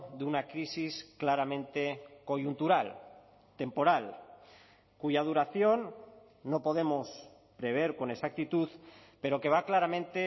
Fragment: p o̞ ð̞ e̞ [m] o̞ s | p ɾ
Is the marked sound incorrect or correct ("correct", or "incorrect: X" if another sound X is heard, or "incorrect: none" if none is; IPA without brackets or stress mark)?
correct